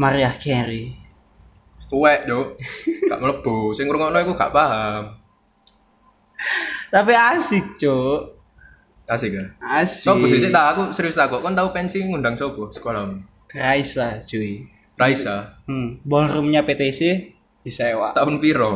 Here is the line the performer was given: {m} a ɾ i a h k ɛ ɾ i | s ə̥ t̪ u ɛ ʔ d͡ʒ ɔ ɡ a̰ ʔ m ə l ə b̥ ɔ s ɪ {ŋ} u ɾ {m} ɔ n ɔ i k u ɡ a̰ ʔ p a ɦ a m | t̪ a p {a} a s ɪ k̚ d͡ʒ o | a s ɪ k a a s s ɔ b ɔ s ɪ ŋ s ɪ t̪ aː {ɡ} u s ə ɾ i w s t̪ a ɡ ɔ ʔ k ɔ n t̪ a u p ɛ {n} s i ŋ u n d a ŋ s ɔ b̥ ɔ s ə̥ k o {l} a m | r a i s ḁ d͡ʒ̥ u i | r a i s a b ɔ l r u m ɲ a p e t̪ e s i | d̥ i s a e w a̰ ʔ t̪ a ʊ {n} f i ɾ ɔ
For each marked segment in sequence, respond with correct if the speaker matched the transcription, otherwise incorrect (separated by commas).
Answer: correct, correct, incorrect, incorrect, incorrect, correct, correct, correct